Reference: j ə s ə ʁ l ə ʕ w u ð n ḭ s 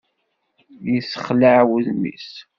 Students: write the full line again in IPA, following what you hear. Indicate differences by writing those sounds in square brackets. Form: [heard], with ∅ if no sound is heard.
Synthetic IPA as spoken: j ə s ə [χ] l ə ʕ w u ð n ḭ s

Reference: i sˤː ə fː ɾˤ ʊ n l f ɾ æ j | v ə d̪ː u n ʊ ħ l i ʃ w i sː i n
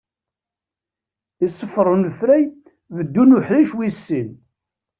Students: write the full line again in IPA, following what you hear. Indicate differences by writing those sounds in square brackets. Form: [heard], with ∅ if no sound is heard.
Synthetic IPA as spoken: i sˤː ə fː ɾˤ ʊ n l f ɾ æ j | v ə d̪ː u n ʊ ħ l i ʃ w i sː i n

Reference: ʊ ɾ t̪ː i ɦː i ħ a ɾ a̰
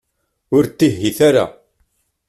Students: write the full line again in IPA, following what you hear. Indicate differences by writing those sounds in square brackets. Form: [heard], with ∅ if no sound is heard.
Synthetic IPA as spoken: ʊ ɾ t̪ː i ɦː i [θ] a ɾ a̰

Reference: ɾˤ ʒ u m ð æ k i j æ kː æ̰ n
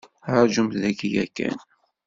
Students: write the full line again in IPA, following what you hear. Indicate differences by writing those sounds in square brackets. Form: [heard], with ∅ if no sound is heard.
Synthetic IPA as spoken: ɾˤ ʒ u m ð æ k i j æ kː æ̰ n

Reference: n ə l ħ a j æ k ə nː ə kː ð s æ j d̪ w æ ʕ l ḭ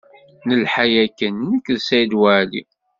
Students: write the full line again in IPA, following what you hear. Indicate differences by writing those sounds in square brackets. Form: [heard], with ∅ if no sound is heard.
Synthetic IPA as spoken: n ə l ħ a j æ k ə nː ə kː ð s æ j d̪ w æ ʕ l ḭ

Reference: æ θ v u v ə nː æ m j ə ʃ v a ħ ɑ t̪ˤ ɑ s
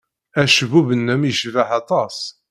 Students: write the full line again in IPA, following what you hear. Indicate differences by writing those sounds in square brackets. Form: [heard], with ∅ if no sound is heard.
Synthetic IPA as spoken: æ [ʃ] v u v ə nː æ m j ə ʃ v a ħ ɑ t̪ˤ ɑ s

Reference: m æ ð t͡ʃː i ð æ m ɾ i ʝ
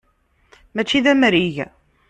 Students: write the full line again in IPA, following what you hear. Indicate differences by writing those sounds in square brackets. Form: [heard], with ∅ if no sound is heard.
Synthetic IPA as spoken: m æ [∅] t͡ʃː i ð æ m ɾ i ʝ

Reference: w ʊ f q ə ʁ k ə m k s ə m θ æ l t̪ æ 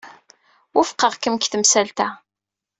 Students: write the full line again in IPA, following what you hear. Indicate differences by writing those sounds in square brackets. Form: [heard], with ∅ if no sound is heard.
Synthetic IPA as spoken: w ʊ f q ə ʁ k ə m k [θ] ə m [s] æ l t̪ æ

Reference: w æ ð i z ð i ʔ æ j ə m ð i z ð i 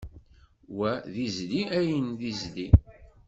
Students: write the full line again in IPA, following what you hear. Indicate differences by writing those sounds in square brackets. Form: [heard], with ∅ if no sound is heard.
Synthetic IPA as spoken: w æ ð i z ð i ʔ æ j ə [n] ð i z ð i

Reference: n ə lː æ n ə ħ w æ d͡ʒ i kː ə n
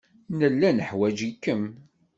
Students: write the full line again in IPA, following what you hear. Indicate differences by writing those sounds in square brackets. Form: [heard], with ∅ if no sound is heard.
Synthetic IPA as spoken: n ə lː æ n ə ħ w æ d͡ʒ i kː ə [m]

